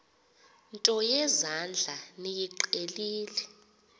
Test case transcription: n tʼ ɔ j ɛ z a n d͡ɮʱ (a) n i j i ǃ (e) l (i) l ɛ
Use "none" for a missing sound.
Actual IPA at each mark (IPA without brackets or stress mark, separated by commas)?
a, e, iː